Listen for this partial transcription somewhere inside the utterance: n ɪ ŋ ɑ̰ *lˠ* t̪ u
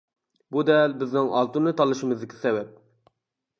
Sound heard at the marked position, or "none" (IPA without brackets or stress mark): lˠ